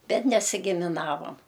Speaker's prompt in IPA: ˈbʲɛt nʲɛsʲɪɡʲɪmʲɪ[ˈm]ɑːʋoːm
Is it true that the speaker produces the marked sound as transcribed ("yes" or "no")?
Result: no